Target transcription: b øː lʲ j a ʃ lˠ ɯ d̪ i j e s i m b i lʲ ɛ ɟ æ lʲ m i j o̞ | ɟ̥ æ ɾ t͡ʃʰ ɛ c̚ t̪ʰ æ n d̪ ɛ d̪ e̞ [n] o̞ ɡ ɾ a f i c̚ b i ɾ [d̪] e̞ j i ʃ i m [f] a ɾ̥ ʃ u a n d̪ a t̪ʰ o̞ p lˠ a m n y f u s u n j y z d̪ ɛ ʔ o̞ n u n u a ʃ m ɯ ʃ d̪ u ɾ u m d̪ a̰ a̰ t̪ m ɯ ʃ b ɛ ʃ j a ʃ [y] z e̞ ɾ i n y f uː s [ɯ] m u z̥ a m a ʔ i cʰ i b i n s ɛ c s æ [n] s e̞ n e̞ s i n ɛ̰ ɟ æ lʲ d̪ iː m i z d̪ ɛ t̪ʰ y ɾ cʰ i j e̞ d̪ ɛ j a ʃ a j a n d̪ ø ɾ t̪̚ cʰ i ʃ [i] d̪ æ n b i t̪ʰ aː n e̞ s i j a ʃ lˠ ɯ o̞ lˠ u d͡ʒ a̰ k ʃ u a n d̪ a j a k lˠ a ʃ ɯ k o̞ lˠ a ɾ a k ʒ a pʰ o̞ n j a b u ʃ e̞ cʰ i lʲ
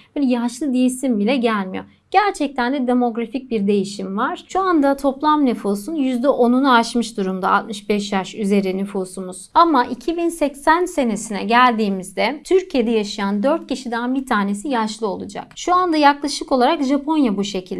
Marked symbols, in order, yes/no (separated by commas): no, yes, no, yes, no, yes, yes